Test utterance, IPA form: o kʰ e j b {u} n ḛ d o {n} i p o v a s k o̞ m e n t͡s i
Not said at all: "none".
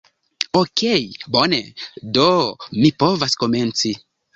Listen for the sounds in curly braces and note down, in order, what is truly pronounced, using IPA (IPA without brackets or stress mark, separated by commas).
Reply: o, m